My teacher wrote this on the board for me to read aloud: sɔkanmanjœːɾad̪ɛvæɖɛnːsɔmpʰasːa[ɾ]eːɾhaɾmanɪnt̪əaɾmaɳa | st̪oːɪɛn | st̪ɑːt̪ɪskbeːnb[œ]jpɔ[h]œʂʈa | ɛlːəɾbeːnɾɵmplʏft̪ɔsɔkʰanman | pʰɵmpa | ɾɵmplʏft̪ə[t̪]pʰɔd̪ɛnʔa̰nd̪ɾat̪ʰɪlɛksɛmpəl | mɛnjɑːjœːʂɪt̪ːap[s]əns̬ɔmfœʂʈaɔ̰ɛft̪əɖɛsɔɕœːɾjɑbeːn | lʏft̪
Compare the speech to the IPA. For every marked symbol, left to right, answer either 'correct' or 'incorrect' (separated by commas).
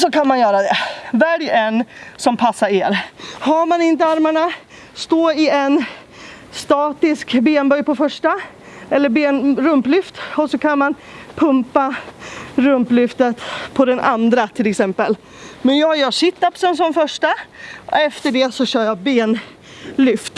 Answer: correct, correct, incorrect, correct, correct